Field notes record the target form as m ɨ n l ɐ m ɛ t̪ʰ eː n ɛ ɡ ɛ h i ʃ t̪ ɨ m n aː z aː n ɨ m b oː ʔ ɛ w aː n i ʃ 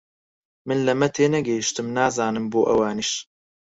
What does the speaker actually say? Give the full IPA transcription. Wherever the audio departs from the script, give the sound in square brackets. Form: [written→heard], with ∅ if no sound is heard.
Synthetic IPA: m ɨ n l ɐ m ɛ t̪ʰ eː n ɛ ɡ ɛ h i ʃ t̪ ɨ m n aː z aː n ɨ m b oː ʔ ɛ w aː n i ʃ